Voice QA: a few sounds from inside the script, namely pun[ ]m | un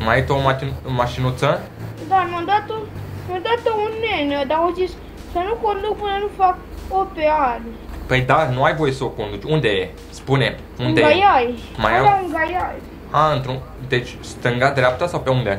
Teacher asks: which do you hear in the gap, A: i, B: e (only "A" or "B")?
B